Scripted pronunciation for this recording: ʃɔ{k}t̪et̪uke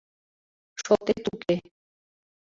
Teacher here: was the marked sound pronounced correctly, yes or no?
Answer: no